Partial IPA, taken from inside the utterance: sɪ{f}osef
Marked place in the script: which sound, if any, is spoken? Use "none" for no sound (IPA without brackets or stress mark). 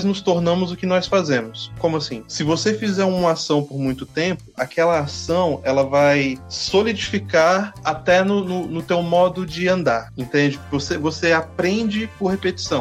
v